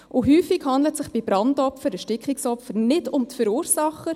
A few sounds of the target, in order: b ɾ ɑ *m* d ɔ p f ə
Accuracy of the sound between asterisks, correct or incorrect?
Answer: incorrect